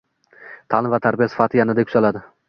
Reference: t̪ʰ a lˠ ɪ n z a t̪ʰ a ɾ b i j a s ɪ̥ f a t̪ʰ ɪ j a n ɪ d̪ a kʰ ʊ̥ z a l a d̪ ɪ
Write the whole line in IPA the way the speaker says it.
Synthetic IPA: t̪ʰ a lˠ ɪ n v a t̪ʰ a ɾ b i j a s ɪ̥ f a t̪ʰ ɪ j a n ɪ d̪ a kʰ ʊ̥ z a l a d̪ ɪ